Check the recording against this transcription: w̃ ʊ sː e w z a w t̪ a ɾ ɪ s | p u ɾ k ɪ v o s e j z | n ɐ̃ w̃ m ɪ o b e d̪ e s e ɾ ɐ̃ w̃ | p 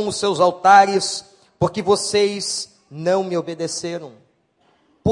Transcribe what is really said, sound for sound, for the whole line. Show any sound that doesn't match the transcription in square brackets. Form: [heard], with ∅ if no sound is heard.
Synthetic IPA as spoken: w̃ ʊ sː e w z a w t̪ a ɾ ɪ s | p [o] ɾ k ɪ v o s e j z | n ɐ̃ w̃ m ɪ o b e d̪ e s e ɾ ɐ̃ w̃ | p